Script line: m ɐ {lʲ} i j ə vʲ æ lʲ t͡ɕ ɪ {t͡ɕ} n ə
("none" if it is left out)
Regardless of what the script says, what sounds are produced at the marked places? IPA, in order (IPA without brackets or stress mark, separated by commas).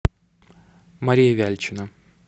ɾʲ, none